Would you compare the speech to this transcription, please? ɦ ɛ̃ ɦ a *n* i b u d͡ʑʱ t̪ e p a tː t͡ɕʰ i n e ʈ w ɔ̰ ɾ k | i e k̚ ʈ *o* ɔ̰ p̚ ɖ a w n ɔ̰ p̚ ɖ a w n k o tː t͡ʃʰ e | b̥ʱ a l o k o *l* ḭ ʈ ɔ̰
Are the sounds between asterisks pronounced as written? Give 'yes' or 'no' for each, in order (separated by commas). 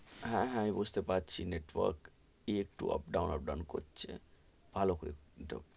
no, no, no